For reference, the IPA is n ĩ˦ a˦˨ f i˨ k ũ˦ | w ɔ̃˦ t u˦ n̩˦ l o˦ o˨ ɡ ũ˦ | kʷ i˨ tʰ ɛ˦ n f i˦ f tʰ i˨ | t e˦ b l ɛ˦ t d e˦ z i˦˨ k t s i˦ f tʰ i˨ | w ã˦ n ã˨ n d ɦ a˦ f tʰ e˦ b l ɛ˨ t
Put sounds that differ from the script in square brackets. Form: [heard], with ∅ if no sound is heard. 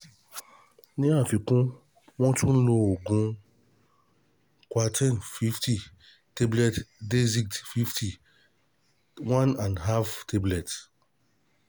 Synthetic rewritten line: n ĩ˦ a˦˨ f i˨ k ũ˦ | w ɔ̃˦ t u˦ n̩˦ l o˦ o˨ ɡ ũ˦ | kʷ [a˨] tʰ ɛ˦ n f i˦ f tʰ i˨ | t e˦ b l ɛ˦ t d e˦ z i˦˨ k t [f] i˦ f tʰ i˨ | w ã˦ n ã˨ n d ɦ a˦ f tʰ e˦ b l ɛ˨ t